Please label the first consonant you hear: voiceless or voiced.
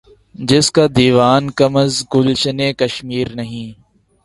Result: voiced